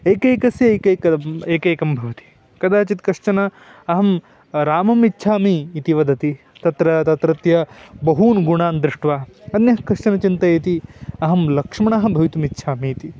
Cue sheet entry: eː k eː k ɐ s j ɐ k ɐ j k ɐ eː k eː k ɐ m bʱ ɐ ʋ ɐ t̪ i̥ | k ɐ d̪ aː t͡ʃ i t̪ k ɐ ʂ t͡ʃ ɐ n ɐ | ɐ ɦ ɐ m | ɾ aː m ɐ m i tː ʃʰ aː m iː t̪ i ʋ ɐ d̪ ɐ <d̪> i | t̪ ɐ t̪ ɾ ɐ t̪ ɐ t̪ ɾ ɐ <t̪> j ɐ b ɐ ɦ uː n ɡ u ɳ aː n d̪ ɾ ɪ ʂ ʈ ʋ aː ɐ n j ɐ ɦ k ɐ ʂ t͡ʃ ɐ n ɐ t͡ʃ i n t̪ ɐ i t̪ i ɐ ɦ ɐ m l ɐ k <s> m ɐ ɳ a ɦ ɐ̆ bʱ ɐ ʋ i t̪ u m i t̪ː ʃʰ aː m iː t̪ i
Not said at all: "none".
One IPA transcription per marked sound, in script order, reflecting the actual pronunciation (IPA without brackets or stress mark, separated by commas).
t̪, t̪, ʂ